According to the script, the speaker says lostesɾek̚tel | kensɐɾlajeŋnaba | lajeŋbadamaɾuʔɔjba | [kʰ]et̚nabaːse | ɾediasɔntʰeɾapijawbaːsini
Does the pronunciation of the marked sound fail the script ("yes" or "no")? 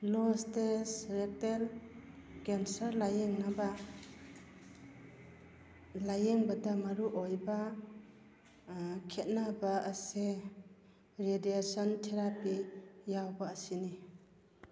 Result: no